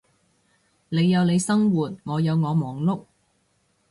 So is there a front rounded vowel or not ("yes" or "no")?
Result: no